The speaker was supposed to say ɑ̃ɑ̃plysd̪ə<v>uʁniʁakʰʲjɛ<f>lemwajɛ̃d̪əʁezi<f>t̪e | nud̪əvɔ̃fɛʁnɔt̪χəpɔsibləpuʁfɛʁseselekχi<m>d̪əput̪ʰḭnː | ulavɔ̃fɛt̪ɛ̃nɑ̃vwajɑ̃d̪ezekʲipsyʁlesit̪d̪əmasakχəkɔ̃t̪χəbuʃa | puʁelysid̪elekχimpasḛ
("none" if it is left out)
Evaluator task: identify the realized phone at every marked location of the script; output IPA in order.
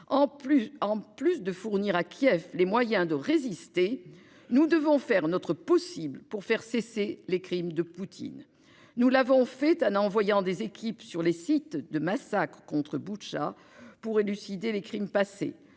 f, f, s, m

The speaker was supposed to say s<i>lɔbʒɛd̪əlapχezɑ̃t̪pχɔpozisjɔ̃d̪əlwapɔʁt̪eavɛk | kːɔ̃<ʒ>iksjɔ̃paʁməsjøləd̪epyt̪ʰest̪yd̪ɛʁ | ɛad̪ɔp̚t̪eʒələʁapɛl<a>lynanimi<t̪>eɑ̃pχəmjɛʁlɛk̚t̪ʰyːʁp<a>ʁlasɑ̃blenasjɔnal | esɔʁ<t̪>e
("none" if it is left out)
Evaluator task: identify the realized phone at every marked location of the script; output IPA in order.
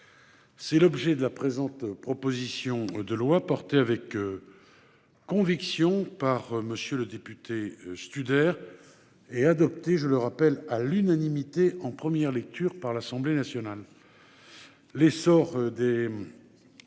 ɛ, v, a, t̪, a, d̪

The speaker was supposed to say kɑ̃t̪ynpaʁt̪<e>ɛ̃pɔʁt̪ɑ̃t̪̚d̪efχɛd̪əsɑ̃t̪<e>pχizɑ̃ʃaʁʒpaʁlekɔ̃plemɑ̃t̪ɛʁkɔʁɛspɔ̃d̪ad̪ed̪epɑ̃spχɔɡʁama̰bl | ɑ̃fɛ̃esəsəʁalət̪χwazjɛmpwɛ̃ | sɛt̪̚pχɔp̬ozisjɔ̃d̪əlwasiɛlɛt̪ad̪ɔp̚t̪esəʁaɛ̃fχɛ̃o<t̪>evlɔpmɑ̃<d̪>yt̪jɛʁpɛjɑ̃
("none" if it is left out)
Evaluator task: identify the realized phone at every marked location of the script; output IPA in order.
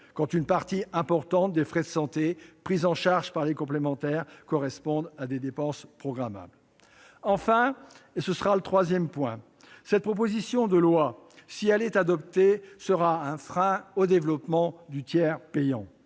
i, e, d̪, d̪

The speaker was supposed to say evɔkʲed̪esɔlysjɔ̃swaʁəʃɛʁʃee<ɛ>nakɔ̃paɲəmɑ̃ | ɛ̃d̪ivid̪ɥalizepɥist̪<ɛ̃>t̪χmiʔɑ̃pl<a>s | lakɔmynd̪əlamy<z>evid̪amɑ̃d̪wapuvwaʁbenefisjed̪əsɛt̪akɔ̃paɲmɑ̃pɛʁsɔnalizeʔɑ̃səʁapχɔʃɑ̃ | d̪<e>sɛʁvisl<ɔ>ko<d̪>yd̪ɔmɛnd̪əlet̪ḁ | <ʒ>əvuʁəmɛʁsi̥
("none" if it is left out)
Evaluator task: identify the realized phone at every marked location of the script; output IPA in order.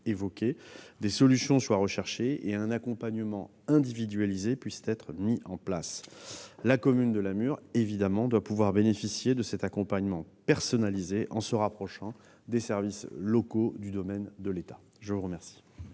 ɛ̃, ɛ, a, ʁ, e, ɔ, d̪, ʒ

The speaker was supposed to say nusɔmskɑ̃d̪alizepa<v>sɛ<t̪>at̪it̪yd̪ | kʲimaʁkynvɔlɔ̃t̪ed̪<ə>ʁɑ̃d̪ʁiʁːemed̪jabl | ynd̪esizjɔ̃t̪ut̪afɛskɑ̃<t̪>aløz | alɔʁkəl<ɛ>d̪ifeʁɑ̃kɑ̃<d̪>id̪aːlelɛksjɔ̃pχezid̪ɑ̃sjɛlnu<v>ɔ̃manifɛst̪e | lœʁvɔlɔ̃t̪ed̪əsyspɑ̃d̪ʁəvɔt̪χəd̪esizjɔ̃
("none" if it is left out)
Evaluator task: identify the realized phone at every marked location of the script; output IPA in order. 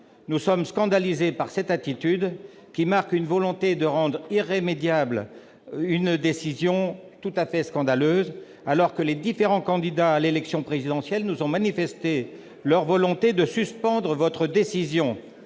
ʁ, t̪, ə, d̪, e, d̪, z

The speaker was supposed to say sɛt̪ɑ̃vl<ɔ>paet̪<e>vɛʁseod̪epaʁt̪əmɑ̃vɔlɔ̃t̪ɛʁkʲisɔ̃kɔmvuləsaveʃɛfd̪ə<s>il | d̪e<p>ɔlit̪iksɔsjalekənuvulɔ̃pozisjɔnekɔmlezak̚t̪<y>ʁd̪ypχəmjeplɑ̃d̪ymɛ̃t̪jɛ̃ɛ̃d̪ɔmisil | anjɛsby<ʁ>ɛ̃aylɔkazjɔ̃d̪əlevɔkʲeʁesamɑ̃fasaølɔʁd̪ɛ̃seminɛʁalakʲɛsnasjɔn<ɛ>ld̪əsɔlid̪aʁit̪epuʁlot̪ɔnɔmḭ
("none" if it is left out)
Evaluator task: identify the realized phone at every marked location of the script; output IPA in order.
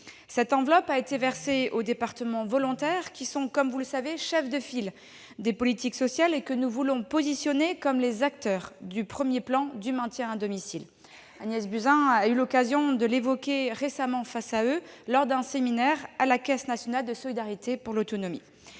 ɔ, e, f, p, œ, z, a

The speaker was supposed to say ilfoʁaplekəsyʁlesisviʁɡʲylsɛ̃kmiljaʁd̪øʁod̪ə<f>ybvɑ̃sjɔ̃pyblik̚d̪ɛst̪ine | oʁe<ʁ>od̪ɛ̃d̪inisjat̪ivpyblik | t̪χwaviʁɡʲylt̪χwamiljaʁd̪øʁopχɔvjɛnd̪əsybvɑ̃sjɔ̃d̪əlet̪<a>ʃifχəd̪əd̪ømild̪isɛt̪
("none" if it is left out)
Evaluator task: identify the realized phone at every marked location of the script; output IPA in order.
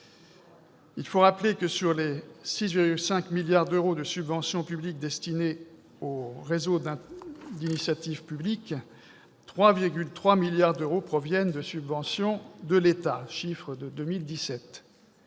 s, z, a

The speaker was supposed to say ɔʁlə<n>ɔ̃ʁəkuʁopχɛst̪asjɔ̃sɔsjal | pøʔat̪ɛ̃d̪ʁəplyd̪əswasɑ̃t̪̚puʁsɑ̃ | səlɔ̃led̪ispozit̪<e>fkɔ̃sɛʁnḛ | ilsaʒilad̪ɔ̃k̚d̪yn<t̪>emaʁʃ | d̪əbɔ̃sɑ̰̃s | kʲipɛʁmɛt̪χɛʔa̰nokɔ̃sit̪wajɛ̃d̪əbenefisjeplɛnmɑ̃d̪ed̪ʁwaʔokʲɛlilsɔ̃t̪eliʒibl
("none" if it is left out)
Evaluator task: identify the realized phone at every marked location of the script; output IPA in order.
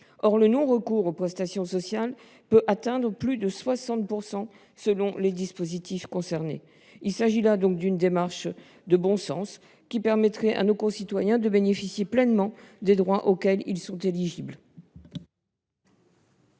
n, i, d̪

